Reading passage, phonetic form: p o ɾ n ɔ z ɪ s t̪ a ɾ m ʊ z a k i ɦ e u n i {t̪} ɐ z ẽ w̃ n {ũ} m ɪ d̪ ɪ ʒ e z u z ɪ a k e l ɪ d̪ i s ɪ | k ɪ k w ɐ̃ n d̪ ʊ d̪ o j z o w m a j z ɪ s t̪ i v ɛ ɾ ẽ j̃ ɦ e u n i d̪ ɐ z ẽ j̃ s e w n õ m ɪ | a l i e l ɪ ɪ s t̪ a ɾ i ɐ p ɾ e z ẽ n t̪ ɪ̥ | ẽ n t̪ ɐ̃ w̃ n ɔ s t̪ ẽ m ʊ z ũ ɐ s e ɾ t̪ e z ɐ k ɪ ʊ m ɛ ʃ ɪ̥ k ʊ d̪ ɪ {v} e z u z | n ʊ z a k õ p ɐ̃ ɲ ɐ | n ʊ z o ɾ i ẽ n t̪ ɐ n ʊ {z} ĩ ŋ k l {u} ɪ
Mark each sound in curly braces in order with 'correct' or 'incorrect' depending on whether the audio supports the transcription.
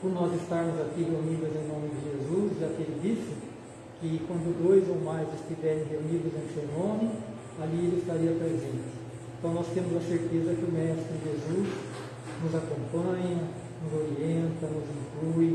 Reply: incorrect: d̪, incorrect: õ, incorrect: ʒ, correct, correct

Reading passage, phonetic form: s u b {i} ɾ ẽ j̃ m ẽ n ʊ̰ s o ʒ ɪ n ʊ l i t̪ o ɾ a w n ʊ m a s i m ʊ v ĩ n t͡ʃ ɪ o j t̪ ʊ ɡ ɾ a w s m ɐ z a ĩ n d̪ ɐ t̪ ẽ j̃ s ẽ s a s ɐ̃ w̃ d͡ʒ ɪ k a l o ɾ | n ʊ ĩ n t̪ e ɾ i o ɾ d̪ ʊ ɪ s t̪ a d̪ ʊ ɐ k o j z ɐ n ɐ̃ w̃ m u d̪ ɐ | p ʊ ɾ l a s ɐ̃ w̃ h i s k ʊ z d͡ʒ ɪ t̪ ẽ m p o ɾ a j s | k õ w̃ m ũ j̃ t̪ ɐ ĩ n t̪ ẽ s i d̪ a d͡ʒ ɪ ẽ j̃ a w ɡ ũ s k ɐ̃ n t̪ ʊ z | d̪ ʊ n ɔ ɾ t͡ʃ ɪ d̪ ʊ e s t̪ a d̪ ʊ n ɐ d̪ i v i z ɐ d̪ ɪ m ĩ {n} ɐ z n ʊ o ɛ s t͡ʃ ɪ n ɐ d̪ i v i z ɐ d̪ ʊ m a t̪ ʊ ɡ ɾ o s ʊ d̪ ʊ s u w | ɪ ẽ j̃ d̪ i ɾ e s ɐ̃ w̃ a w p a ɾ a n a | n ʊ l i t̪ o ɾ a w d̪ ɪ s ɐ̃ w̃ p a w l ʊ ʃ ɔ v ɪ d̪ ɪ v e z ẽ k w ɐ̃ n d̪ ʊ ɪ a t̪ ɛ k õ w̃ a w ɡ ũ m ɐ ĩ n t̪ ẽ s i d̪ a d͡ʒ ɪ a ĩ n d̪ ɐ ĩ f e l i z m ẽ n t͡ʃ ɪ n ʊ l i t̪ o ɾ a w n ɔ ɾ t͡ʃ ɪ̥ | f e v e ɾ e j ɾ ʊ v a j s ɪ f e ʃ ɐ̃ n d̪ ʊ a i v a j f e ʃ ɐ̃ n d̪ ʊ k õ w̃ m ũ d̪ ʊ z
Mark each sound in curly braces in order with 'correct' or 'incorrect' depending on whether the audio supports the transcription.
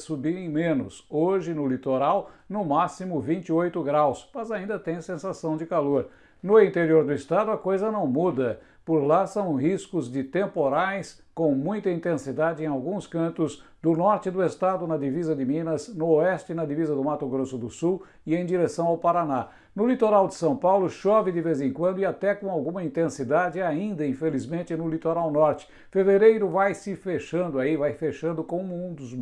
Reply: correct, correct

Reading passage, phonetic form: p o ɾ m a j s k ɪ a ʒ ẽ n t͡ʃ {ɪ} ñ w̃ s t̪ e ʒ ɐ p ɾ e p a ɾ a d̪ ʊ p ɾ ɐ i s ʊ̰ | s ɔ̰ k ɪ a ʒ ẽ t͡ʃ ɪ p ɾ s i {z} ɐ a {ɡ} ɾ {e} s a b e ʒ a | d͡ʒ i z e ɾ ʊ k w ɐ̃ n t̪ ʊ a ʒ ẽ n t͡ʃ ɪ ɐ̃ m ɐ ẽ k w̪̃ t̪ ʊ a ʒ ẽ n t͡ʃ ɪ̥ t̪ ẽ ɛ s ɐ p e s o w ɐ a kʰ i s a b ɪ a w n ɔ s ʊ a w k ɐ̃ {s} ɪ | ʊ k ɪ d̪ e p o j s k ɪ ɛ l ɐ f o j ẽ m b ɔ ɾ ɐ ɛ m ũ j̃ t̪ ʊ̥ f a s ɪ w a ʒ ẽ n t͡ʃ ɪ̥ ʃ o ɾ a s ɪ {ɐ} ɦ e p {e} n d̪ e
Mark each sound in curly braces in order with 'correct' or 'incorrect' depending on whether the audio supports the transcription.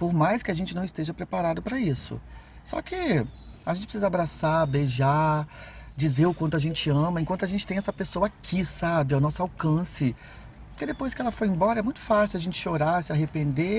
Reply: correct, correct, incorrect: b, incorrect: a, correct, incorrect: a, incorrect: ẽ

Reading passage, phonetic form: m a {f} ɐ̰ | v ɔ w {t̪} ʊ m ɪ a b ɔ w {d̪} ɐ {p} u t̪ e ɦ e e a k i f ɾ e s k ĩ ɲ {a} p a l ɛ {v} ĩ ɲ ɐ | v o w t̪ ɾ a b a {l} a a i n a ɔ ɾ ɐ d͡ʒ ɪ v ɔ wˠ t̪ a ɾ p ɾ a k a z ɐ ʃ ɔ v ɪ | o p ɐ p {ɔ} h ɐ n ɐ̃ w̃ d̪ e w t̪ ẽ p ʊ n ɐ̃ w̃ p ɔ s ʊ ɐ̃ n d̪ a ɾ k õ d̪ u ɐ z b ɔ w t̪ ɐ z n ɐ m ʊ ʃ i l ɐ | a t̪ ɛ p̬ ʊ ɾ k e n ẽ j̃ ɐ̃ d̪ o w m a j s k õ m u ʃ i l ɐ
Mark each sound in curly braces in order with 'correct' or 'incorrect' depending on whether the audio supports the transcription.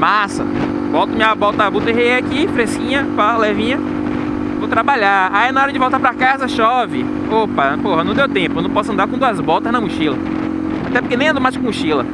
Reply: incorrect: s, correct, incorrect: t̪, incorrect: b, incorrect: ɐ, correct, incorrect: ʎ, incorrect: o

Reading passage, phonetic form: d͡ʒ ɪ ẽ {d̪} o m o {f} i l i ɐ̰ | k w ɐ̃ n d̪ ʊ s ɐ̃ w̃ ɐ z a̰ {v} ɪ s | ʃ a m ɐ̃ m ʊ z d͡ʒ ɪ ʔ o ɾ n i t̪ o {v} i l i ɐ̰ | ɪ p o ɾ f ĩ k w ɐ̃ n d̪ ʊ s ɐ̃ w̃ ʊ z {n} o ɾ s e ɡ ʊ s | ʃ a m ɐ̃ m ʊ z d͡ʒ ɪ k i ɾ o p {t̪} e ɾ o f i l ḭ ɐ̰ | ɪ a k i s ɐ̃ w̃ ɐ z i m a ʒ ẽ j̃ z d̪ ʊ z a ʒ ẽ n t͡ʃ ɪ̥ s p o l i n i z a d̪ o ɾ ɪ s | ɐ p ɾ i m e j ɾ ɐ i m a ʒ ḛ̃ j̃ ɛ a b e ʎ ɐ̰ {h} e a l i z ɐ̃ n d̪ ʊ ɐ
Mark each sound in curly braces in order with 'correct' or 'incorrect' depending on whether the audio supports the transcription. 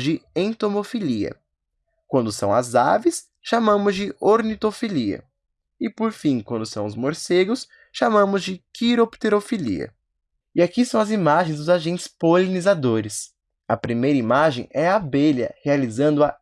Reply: incorrect: t̪, correct, correct, incorrect: f, incorrect: m, correct, correct

